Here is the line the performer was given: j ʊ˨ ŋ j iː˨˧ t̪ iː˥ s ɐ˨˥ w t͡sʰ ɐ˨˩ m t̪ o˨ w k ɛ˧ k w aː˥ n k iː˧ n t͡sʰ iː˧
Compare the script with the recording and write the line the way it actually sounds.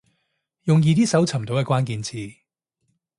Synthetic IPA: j ʊ˨ ŋ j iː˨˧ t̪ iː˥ s ɐ˨˥ w t͡sʰ ɐ˨˩ m t̪ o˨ w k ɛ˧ k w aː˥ n k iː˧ n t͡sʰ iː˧